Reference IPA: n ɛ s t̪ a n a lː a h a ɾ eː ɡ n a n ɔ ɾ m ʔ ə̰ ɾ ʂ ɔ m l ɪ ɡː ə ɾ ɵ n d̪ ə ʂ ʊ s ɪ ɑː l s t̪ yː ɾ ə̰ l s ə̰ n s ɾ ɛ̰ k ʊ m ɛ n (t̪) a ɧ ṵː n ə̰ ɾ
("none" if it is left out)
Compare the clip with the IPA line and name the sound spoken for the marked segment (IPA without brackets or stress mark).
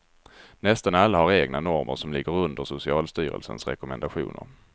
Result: d̪